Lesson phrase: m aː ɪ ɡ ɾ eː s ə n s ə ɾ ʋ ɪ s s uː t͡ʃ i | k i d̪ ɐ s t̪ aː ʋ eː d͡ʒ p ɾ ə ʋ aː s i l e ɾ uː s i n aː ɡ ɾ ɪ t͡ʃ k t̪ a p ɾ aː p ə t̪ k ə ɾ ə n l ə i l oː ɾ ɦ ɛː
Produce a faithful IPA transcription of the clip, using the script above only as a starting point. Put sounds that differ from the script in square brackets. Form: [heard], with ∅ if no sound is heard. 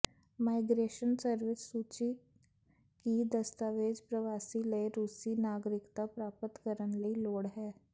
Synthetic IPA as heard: m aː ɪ ɡ ɾ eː [ʃ] ə n s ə ɾ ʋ ɪ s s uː t͡ʃ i | k i d̪ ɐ s t̪ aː ʋ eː d͡ʒ p ɾ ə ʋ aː s i l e ɾ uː s i n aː ɡ ɾ ɪ [∅] k t̪ a p ɾ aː p ə t̪ k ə ɾ ə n l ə i l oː [ɽ] ɦ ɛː